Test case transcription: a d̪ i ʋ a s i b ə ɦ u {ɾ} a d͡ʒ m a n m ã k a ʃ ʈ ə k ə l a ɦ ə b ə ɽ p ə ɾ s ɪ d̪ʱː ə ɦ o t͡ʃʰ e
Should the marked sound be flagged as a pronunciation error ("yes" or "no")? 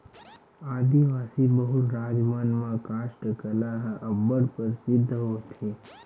no